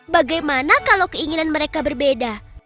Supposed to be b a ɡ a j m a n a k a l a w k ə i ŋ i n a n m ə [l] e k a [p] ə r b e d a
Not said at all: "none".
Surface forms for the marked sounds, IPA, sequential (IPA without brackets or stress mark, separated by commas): ɾ, b